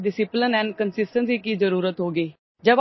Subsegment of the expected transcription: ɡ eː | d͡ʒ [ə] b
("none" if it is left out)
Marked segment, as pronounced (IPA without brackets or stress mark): ə